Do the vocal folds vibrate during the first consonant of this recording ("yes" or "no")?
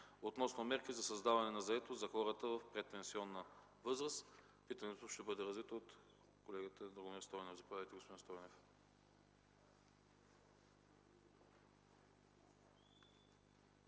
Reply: no